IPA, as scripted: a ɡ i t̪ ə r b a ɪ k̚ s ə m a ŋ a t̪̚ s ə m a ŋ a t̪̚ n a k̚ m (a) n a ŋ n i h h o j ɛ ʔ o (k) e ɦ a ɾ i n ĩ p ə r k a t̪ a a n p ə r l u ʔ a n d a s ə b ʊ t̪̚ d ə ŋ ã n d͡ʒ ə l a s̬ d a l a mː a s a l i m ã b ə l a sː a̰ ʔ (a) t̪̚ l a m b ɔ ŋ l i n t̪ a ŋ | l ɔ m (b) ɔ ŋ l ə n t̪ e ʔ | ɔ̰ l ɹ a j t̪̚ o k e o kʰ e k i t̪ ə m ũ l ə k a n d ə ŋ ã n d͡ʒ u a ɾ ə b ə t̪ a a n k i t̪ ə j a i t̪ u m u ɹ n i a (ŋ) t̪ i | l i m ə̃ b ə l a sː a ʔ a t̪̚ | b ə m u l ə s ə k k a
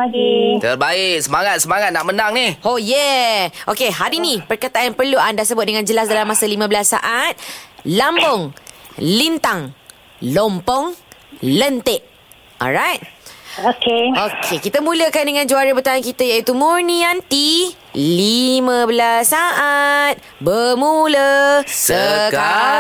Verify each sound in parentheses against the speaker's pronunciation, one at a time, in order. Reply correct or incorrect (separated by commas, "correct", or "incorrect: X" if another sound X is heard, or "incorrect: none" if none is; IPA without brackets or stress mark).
incorrect: ə, correct, correct, incorrect: p, incorrect: n